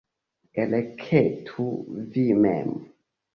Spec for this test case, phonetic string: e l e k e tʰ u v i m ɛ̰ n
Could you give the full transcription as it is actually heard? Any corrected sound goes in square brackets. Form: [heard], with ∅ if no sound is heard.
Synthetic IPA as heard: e l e [kʰ] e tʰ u v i m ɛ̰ [m]